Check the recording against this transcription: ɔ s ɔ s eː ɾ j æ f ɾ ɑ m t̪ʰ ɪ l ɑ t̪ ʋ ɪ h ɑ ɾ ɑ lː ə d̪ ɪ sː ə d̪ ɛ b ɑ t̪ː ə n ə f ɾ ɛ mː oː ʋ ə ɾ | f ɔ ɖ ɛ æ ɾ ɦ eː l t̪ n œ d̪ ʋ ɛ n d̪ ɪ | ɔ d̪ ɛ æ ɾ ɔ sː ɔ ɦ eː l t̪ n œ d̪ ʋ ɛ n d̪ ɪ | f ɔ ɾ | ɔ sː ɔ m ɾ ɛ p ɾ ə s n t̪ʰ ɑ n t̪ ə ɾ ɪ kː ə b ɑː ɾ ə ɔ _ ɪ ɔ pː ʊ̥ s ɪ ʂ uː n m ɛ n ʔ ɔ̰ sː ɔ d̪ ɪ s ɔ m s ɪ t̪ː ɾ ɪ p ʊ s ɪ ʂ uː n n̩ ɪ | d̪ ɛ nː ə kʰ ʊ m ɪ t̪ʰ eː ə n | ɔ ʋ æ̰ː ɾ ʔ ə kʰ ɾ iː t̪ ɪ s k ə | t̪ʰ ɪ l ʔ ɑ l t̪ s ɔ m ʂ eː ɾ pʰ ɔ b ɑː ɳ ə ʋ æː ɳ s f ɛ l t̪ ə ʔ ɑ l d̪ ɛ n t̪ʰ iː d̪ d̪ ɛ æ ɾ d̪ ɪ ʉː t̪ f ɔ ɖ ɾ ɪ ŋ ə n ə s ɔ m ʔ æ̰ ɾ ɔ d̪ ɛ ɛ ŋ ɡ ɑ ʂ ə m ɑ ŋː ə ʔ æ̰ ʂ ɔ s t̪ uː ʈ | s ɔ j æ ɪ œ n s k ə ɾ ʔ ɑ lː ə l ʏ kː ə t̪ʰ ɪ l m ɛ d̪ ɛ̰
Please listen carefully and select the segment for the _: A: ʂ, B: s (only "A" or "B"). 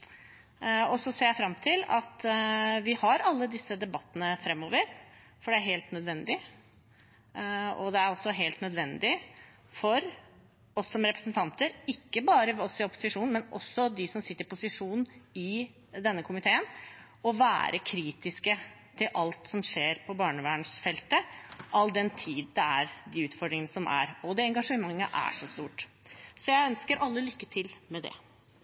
B